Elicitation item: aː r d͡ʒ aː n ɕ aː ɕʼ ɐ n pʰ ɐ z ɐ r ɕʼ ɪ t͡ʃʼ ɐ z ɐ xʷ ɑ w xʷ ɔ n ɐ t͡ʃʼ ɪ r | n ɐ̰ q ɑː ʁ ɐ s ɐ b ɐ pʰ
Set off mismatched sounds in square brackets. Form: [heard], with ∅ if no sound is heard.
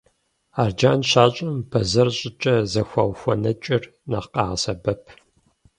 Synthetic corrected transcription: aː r d͡ʒ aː n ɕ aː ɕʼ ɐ [m] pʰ ɐ z ɐ r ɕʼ ɪ t͡ʃʼ ɐ z ɐ xʷ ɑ w xʷ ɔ n ɐ t͡ʃʼ ɪ r | n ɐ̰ q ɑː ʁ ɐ s ɐ b ɐ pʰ